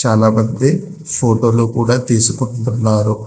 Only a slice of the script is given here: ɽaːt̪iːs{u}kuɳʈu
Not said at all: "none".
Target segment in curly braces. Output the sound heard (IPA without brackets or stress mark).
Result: u